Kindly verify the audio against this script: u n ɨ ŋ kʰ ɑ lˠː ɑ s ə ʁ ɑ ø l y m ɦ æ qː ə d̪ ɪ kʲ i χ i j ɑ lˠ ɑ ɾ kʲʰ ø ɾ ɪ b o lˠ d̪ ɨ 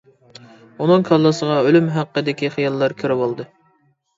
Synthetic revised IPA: u n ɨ ŋ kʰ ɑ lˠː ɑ s ə ʁ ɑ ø l y m ɦ æ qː ə d̪ ɪ kʲ i χ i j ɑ lˠː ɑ ɾ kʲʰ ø ɾ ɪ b o lˠ d̪ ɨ